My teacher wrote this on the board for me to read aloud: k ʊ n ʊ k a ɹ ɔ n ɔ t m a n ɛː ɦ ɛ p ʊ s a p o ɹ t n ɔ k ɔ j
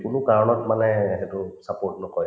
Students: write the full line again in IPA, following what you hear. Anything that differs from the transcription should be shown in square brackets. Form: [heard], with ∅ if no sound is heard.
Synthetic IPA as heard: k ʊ n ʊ k a ɹ ɔ n ɔ t m a n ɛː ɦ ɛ [t] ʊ s a p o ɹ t n ɔ k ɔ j